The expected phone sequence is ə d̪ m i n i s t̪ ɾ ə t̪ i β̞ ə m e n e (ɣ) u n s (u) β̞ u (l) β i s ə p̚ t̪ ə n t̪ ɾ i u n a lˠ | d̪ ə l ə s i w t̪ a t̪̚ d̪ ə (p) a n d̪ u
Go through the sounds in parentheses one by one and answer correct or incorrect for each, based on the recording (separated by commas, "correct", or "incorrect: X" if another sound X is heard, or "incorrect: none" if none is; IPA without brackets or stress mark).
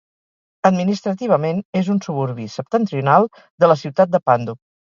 incorrect: z, correct, incorrect: ɾ, correct